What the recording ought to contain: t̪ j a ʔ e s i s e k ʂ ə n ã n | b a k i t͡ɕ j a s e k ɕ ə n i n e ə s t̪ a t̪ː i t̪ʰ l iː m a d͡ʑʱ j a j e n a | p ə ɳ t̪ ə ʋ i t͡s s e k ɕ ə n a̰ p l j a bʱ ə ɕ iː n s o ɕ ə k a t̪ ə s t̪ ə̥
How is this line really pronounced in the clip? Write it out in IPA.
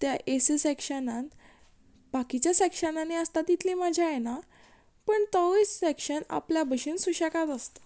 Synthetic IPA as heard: t̪ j a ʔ e s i s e k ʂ ə n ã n | b a k i t͡ɕ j a s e k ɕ ə n a n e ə s t̪ a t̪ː i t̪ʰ l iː m a d͡ʑʱ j a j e n a | p ə ɳ t̪ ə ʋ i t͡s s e k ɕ ə n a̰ p l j a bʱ ə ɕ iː n s u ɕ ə k a t̪ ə s t̪ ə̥